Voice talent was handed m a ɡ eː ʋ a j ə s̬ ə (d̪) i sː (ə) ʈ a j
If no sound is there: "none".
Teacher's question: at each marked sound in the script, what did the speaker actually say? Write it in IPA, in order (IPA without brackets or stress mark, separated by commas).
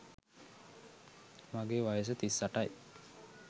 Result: t̪, a